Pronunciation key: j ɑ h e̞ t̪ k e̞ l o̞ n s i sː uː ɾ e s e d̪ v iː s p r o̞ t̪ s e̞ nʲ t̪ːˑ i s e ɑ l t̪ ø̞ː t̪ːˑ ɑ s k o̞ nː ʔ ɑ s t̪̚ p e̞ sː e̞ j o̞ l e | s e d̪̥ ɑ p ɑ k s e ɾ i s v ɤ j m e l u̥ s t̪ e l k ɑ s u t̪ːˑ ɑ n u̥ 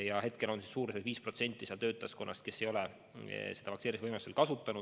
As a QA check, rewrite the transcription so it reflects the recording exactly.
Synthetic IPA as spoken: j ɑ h e̞ t̪ k e̞ l o̞ n s i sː uː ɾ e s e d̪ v iː s p r o̞ t̪ s e̞ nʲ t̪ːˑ i s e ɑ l t̪ ø̞ː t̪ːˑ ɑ s k o̞ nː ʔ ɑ s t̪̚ k e̞ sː e̞ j o̞ l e | s e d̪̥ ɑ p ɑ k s e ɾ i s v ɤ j m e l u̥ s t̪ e l k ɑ s u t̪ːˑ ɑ n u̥